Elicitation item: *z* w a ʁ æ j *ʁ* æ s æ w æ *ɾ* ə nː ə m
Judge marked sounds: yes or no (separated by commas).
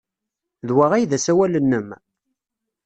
no, no, no